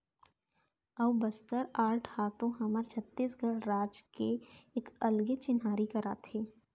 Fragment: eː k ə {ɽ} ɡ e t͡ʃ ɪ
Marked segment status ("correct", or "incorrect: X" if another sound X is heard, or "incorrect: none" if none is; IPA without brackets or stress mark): incorrect: l